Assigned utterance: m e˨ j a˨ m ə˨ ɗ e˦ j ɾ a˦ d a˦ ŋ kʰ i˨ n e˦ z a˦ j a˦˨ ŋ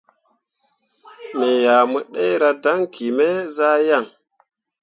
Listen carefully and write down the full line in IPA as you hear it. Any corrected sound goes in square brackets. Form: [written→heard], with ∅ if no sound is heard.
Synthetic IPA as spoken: m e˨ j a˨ m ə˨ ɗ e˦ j ɾ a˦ d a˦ ŋ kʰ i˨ [n→m] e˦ z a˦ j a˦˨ ŋ